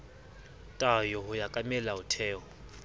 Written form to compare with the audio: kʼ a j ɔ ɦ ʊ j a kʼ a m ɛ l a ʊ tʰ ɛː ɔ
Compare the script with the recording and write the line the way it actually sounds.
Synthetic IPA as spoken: tʼ a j ɔ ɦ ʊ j a kʼ a m ɛ l a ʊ tʰ ɛː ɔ